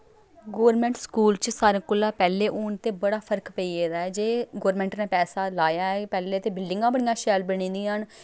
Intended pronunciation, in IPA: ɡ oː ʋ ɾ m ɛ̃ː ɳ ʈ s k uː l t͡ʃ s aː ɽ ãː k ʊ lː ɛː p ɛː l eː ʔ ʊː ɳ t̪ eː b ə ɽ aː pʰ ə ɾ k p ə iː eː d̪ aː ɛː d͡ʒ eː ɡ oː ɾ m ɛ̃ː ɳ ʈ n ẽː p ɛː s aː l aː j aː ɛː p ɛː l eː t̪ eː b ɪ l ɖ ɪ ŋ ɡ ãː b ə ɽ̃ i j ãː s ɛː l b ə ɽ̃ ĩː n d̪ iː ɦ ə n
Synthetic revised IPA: ɡ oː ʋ ɾ m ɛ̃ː ɳ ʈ s k uː l t͡ʃ s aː ɾ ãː k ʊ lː aː p ɛː l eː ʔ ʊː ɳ t̪ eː b ə ɽ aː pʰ ə ɾ k p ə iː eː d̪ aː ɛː d͡ʒ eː ɡ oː ɾ m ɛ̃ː ɳ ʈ n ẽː p ɛː s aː l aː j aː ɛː p ɛː l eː t̪ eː b ɪ l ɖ ɪ ŋ ɡ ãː b ə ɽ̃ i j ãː ʃ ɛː l b ə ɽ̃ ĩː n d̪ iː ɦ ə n

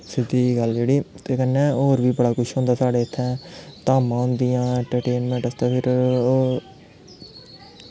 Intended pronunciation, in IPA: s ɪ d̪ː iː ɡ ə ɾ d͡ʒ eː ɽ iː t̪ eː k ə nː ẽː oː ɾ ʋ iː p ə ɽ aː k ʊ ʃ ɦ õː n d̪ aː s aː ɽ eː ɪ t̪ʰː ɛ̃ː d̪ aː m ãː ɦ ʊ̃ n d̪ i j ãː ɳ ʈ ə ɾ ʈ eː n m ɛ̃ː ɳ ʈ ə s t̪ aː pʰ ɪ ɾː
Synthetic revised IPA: s ɪ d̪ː iː ɡ ə l d͡ʒ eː ɽ iː t̪ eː k ə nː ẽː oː ɾ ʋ iː b ə ɽ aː k ʊ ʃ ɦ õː n d̪ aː s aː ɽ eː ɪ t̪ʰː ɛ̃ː t̪ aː m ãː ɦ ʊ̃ n d̪ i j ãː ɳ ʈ ə ɾ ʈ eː n m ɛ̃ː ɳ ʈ ə s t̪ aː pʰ ɪ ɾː

